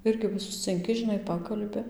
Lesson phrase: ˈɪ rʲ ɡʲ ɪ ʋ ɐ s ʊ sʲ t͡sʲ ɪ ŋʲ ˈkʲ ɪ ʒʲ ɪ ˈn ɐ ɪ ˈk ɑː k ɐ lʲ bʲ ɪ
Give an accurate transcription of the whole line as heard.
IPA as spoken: ˈɪ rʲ ɡʲ ɪ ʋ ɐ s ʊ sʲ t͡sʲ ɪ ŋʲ ˈkʲ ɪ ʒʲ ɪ ˈn ɐ ɪ ˈp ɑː k ɐ lʲ bʲ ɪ